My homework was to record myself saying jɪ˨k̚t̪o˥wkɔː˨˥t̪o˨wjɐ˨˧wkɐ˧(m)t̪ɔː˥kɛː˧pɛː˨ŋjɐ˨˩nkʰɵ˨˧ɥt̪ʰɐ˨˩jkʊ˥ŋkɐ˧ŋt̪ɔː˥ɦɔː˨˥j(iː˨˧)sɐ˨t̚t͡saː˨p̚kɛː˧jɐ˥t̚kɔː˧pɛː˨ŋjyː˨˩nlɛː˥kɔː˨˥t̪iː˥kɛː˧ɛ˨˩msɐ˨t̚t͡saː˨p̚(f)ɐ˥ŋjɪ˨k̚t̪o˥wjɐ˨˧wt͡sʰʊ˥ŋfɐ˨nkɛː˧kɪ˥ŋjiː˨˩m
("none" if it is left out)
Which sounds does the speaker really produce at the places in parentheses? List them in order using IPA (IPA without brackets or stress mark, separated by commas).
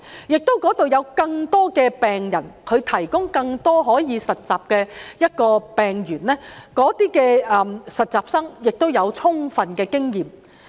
ŋ, iː˨˧, s